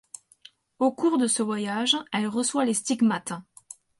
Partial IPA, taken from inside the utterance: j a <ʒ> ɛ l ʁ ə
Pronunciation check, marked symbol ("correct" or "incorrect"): correct